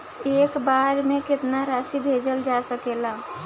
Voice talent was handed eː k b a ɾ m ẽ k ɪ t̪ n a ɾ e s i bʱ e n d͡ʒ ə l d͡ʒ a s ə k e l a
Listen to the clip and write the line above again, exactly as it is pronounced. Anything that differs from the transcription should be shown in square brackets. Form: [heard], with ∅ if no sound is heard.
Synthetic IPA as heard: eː k b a ɾ m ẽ k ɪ t̪ n a ɾ [a] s i bʱ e [∅] d͡ʒ ə l d͡ʒ a s ə k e l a